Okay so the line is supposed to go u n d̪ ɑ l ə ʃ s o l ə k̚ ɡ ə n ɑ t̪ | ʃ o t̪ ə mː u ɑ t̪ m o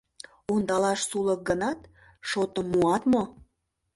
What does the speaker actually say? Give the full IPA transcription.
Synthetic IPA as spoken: u n d̪ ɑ l ɑ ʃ s u l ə k̚ ɡ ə n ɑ t̪ | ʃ o t̪ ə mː u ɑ t̪ m o